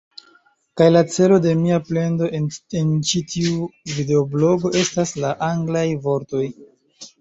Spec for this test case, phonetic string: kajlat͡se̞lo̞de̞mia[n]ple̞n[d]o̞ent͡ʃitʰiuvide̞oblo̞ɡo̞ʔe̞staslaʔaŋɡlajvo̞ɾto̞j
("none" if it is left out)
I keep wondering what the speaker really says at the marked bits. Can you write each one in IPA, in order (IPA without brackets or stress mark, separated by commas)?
none, d